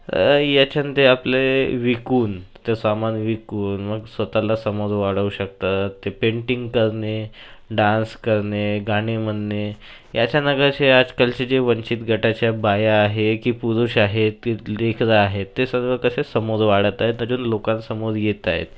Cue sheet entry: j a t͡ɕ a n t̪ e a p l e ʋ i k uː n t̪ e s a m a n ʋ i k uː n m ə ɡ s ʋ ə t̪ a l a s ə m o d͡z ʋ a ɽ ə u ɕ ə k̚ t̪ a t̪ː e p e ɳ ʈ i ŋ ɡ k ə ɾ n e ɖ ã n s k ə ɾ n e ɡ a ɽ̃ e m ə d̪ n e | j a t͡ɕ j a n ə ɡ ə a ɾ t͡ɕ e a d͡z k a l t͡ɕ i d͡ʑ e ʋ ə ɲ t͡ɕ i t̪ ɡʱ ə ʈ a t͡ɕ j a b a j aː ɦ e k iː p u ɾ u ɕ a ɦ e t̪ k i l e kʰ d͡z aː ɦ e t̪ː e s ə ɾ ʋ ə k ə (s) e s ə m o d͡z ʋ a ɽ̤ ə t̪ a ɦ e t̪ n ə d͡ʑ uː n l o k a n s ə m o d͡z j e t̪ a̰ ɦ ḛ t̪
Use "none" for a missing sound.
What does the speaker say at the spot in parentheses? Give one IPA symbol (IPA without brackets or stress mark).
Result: s